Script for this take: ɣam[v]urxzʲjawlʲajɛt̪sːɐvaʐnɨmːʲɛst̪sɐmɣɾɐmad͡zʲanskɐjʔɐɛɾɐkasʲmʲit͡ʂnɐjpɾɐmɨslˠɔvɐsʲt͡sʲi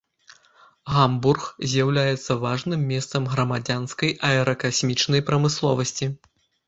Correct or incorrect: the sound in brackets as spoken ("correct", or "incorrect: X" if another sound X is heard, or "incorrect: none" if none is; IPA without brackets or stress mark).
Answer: incorrect: b